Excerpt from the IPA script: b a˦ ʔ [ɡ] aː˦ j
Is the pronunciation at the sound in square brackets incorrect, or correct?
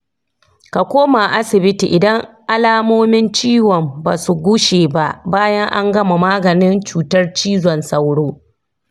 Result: incorrect: b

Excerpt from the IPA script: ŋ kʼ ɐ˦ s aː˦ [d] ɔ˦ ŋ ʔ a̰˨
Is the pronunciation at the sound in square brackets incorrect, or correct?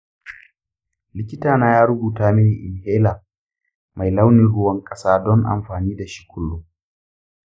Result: correct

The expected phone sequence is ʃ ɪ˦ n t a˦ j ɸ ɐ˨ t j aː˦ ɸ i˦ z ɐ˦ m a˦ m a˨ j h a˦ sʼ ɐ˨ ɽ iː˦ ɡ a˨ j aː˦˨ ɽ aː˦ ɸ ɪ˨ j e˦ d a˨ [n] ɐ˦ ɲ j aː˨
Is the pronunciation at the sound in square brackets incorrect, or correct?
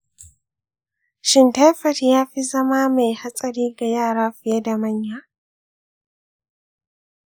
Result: incorrect: m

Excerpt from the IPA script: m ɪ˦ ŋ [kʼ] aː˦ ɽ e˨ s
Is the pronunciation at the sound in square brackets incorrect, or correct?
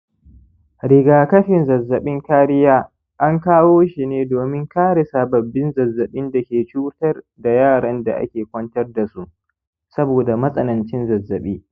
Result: incorrect: k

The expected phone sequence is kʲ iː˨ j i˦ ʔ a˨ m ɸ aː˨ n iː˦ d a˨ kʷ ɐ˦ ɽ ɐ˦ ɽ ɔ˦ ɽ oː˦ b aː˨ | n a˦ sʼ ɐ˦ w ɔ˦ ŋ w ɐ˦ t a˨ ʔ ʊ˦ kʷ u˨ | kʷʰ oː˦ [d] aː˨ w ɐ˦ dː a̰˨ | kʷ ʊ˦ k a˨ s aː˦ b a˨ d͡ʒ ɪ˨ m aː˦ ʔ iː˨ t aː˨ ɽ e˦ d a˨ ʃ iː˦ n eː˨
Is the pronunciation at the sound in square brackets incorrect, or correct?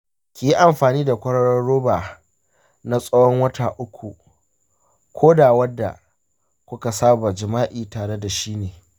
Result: correct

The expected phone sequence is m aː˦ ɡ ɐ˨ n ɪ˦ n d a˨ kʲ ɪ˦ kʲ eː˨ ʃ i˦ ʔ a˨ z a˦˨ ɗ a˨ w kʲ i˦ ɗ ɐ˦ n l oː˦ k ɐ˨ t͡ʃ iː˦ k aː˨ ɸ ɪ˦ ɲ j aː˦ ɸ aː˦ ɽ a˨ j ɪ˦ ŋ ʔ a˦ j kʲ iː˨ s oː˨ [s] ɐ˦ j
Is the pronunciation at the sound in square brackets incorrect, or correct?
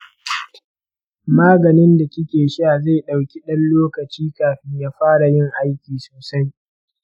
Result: correct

